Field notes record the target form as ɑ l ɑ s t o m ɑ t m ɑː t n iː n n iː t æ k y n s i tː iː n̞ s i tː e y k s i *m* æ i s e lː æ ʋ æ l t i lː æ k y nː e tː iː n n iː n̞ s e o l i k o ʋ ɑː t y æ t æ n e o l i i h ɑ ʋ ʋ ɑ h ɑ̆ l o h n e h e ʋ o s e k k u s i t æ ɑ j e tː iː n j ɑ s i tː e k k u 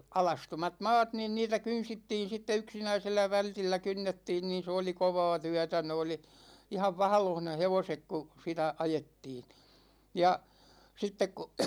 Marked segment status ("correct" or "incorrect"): incorrect